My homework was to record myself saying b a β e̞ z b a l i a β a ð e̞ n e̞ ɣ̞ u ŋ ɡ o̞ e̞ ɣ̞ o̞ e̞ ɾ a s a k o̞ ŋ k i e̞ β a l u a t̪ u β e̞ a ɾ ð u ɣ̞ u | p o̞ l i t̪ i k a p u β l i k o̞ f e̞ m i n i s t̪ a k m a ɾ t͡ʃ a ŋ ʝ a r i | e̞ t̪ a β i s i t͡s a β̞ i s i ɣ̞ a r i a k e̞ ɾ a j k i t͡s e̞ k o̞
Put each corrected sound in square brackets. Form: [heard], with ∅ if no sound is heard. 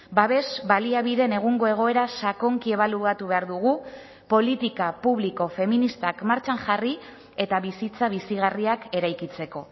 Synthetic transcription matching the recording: b a β e̞ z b a l i a β [i] ð e̞ n e̞ ɣ̞ u ŋ ɡ o̞ e̞ ɣ̞ o̞ e̞ ɾ a s a k o̞ ŋ k i e̞ β a l u a t̪ u β e̞ a ɾ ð u ɣ̞ u | p o̞ l i t̪ i k a p u β l i k o̞ f e̞ m i n i s t̪ a k m a ɾ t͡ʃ a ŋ ʝ a r i | e̞ t̪ a β i s i t͡s a β̞ i s i ɣ̞ a r i a k e̞ ɾ a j k i t͡s e̞ k o̞